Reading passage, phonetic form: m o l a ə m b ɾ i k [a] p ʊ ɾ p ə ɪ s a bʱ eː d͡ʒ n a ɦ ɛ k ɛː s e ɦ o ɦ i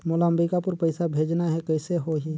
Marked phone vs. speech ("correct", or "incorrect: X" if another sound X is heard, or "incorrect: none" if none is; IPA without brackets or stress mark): correct